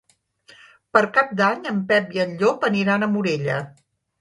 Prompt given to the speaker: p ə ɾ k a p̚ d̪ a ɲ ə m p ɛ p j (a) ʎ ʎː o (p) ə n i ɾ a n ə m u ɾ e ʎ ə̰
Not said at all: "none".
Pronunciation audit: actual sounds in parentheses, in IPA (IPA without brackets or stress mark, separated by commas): ə, p